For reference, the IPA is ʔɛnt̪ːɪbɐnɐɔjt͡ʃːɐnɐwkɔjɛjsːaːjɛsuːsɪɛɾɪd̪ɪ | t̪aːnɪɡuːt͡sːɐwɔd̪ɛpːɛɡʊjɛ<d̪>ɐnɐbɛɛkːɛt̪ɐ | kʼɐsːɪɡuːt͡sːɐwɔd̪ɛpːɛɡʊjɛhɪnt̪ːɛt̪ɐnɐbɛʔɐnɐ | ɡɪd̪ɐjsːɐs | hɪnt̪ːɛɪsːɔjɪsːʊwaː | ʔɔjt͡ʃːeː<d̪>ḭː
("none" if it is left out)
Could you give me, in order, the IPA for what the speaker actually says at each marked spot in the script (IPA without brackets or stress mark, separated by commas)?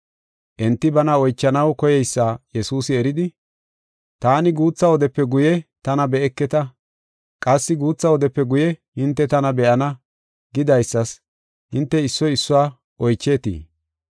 t̪, t̪